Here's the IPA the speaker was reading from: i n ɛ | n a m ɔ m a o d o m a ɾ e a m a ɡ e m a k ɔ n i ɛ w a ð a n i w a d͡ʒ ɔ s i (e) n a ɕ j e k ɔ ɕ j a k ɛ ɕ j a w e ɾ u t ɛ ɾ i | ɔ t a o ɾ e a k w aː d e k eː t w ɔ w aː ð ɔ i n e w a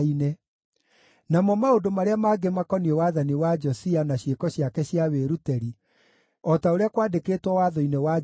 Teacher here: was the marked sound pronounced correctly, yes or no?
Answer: no